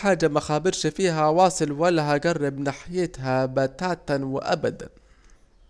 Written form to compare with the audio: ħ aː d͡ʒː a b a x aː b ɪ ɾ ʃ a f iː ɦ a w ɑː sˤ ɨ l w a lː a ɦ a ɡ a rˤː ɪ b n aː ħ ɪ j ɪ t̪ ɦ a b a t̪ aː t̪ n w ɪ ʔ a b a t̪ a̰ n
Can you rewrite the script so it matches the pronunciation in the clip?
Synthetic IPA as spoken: ħ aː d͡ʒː a m a x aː b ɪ ɾ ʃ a f iː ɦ a w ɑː sˤ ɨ l w a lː a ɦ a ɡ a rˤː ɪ b n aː ħ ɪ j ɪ t̪ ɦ a b a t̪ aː t̪ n w ɪ ʔ a b a d̪ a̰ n